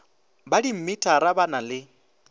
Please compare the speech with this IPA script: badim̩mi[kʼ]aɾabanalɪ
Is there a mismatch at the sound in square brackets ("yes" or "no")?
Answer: yes